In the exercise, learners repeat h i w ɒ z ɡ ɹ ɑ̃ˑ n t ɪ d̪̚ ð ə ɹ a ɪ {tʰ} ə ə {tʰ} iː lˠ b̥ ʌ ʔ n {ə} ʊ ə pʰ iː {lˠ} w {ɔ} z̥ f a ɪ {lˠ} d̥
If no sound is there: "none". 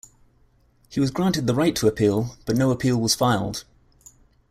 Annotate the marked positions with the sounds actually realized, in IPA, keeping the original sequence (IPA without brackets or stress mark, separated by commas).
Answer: tʰ, pʰ, ə, lˠ, ɒ, lˠ